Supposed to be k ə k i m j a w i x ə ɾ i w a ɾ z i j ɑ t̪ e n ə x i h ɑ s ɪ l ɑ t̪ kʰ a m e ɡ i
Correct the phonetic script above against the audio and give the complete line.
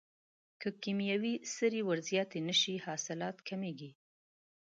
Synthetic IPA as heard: k ə k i m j a w i s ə ɾ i w a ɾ z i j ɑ t̪ e n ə ʃ i h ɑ s ɪ l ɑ t̪ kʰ a m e ɡ i